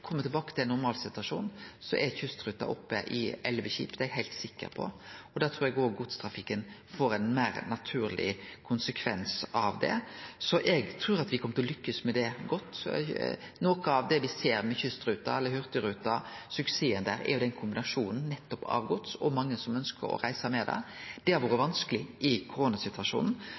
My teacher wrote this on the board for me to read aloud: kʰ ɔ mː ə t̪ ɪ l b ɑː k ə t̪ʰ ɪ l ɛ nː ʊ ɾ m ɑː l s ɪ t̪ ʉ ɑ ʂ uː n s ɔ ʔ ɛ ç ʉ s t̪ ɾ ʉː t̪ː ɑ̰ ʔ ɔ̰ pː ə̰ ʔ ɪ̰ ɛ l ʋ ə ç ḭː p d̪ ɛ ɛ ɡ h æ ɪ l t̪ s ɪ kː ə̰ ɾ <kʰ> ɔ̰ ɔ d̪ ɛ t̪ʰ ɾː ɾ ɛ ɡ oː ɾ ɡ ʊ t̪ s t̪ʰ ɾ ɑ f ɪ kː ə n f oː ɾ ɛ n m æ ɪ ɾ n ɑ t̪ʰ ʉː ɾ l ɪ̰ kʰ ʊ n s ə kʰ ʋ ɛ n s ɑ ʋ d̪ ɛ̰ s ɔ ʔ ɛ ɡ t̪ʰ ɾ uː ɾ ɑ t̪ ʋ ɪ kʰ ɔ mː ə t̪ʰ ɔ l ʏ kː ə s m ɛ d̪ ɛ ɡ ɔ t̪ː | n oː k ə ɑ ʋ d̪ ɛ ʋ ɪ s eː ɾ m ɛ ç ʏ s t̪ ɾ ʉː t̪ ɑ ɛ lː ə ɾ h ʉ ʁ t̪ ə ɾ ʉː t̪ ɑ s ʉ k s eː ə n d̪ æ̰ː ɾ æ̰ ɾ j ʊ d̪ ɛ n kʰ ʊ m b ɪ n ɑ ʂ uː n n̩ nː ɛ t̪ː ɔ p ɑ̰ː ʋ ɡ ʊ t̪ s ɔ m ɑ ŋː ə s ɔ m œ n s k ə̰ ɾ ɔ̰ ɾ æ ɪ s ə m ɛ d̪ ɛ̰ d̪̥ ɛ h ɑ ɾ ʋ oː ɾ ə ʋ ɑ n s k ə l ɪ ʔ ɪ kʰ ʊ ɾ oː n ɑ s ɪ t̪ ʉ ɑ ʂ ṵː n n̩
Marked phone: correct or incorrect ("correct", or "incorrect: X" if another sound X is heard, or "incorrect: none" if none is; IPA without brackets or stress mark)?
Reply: incorrect: pʰ